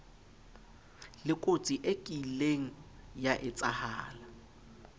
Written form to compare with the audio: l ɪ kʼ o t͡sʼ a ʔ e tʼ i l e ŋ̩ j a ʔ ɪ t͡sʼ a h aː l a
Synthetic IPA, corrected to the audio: l ɪ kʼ o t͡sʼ i ʔ e kʼ i l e ŋ̩ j a ʔ ɪ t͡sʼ a h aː l a